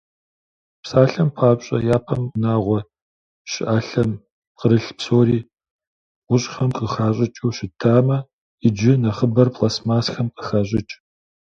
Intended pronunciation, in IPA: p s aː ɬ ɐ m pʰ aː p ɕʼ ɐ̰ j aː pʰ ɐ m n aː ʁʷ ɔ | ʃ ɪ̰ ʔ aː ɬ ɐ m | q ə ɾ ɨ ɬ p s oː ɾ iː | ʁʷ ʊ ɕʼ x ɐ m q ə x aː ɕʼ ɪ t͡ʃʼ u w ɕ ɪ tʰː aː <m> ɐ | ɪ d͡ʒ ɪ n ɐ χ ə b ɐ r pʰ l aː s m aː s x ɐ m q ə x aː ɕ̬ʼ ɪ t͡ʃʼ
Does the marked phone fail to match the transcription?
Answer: no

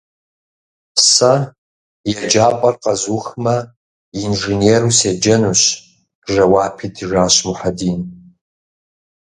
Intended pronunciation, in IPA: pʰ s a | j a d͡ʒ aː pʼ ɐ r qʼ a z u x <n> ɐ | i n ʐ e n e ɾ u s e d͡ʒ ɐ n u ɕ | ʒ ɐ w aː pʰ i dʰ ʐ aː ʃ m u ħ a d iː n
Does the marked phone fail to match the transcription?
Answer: yes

